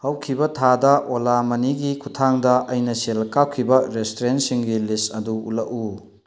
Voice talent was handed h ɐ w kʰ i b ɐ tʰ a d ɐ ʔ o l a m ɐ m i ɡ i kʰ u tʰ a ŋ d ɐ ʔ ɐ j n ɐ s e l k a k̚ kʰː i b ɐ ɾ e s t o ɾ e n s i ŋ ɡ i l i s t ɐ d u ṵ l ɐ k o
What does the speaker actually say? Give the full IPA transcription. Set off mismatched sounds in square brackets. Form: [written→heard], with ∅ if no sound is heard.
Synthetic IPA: h ɐ w kʰ i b ɐ tʰ a d ɐ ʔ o l a m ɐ [m→n] i ɡ i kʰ u tʰ a ŋ d ɐ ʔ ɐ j n ɐ s e l k a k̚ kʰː i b ɐ ɾ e s t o ɾ e n s i ŋ ɡ i l i s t ɐ d u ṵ l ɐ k [o→u]